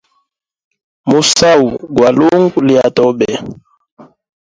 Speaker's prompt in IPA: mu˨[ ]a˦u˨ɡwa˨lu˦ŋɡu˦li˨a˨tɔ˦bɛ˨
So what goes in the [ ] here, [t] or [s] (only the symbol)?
s